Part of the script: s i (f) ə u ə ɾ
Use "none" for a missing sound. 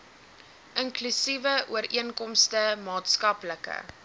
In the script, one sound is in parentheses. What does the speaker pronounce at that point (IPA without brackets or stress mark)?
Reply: v